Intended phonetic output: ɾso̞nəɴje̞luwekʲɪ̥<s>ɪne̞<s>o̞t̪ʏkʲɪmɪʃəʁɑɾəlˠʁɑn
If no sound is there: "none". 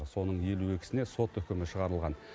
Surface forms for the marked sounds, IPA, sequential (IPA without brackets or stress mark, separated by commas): s, s